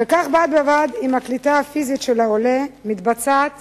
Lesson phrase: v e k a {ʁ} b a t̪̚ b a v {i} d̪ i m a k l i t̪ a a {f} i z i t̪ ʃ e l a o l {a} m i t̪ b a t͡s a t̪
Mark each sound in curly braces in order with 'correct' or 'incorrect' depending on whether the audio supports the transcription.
incorrect: χ, incorrect: a, correct, incorrect: e

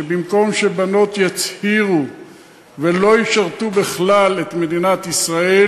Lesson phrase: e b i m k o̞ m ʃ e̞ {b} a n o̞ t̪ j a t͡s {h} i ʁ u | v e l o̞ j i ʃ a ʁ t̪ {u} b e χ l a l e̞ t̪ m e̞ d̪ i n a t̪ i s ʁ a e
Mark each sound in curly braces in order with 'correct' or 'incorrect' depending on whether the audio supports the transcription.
correct, correct, correct

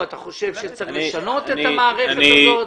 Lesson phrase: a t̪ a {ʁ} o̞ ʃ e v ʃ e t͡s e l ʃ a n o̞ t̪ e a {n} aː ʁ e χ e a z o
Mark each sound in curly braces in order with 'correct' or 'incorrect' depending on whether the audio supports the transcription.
incorrect: χ, incorrect: m

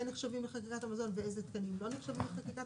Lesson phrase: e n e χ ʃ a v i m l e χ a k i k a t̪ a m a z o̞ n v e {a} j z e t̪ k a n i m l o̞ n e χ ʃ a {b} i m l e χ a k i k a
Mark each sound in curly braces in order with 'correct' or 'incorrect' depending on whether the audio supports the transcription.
incorrect: e, incorrect: v

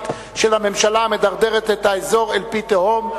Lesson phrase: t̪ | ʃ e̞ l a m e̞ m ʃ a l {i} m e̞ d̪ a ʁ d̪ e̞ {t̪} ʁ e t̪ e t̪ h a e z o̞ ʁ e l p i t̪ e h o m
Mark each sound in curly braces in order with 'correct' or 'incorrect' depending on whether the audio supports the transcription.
incorrect: a, incorrect: none

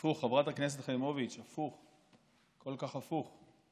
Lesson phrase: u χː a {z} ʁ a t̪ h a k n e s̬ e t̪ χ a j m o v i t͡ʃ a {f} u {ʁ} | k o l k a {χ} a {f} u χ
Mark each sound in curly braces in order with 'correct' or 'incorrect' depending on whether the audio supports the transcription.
incorrect: v, correct, incorrect: χ, correct, correct

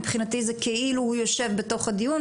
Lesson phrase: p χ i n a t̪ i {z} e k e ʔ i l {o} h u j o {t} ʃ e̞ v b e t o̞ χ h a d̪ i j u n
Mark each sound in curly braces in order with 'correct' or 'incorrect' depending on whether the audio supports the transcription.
correct, incorrect: u, incorrect: none

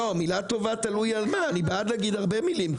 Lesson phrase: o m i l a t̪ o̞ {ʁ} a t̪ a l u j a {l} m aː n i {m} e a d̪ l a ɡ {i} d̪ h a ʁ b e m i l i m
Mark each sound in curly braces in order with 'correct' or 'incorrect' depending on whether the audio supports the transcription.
incorrect: v, correct, incorrect: b, correct

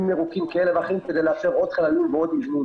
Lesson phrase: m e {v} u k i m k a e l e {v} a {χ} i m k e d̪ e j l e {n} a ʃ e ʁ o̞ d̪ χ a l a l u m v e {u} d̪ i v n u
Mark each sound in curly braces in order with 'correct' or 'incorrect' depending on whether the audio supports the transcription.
incorrect: ʁ, correct, correct, incorrect: none, incorrect: o

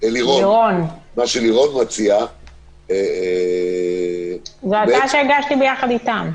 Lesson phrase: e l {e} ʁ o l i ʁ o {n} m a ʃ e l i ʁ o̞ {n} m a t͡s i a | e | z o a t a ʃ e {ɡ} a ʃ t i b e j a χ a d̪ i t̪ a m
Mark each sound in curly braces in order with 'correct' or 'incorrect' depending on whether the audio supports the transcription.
incorrect: i, correct, correct, correct

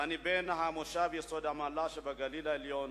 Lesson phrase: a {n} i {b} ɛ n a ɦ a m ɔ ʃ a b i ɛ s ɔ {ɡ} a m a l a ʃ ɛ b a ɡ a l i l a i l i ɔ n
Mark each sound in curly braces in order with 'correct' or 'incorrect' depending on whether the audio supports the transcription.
correct, correct, incorrect: d

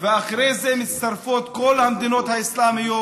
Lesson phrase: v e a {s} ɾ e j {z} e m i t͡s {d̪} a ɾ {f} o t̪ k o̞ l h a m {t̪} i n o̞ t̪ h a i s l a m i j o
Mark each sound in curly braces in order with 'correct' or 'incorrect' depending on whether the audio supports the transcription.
incorrect: χ, correct, incorrect: t̪, correct, incorrect: d̪

